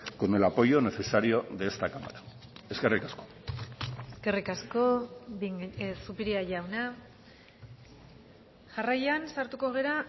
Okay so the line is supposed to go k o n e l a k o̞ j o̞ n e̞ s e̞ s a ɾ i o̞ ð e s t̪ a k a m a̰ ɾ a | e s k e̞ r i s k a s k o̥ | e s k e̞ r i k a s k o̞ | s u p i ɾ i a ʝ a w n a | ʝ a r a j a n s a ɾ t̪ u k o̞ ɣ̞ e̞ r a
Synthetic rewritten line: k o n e l a p o̞ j o̞ n e̞ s e̞ s a ɾ i o̞ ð e s t̪ a k a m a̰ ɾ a | e s k e̞ r i k a s k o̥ | e s k e̞ r i k a s k o̞ | s u p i ɾ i a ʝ a w n a | ʝ a r a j a n s a ɾ t̪ u k o̞ ɣ̞ e̞ ɾ a